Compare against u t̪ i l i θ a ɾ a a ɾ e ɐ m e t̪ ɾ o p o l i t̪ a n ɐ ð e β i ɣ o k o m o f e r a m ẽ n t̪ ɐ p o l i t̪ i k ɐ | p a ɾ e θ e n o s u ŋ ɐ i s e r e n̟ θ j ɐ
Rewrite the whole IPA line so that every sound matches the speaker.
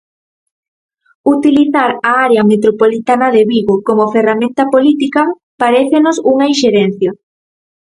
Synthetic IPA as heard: u t̪ i l i θ a ɾ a a ɾ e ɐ m e t̪ ɾ o p o l i t̪ a n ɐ ð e β i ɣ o k o m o f e r a m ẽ n t̪ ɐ p o l i t̪ i k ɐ | p a ɾ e θ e n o s u ŋ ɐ i ʃ e ɾ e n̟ θ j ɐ